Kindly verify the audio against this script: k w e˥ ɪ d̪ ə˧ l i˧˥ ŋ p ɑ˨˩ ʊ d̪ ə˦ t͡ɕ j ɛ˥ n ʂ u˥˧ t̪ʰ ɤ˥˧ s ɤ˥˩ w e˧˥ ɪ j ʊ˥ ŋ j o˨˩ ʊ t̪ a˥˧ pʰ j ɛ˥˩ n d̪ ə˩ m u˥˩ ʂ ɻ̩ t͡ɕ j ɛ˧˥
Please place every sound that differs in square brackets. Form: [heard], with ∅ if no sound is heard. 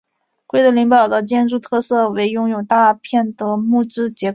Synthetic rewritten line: k w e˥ ɪ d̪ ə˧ l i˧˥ ŋ p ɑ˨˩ ʊ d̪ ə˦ t͡ɕ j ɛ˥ n [ʈ͡ʂ] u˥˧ t̪ʰ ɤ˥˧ s ɤ˥˩ w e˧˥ ɪ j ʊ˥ ŋ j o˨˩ ʊ t̪ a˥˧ pʰ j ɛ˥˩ n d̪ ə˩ m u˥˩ [ʈ͡ʂ] ɻ̩ t͡ɕ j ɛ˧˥